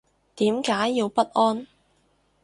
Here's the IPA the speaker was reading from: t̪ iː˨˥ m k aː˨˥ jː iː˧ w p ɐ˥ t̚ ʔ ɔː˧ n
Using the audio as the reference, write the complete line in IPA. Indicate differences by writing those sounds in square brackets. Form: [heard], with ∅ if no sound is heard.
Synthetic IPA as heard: t̪ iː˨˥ m k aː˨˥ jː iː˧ w p ɐ˥ t̚ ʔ [ɔː˥] n